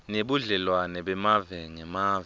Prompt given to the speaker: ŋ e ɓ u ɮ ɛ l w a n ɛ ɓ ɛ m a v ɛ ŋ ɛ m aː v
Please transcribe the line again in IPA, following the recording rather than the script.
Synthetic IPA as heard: n e ɓ u ɮ ɛ l w a n ɛ ɓ ɛ m a v ɛ ŋ ɛ m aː v